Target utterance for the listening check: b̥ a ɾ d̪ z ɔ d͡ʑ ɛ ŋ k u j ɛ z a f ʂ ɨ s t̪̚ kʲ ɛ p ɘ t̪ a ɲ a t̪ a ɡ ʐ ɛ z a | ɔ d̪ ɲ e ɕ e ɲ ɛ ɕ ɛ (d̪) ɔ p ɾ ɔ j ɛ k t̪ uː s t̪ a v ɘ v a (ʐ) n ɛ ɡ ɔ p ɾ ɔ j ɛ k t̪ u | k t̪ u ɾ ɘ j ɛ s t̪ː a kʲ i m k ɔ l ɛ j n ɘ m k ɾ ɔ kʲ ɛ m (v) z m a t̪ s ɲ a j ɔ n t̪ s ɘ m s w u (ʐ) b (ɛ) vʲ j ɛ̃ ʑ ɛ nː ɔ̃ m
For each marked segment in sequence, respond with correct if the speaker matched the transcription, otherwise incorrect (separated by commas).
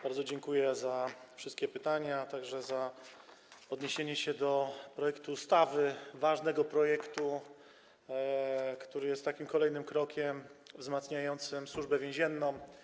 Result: correct, correct, correct, correct, correct